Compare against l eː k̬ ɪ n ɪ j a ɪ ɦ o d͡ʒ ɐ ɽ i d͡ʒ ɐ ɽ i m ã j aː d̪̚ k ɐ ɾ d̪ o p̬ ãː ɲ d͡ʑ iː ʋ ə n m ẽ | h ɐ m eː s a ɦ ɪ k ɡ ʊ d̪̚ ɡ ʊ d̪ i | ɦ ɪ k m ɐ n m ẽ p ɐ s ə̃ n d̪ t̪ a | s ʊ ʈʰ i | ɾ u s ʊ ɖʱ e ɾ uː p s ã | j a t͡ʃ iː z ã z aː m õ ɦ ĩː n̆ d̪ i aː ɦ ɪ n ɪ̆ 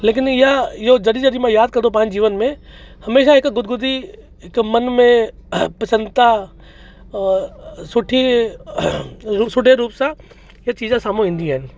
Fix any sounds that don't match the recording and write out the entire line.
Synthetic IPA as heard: l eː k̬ ɪ n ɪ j a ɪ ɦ o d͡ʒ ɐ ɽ i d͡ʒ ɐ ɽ i m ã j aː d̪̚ k ɐ ɾ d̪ o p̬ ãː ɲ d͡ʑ iː ʋ ə n m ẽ | h ɐ m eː ʃ a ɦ ɪ k ɡ ʊ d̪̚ ɡ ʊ d̪ i | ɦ ɪ k m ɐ n m ẽ p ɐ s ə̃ n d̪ t̪ a | s ʊ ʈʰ i | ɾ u s ʊ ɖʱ e ɾ uː p s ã | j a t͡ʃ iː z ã s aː m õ ɦ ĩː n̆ d̪ i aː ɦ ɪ n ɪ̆